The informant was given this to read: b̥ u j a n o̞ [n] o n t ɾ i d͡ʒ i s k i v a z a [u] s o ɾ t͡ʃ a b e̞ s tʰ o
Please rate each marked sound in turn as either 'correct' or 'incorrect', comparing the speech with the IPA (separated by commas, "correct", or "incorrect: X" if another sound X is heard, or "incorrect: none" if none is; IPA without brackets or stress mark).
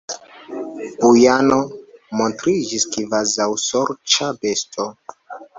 incorrect: m, incorrect: w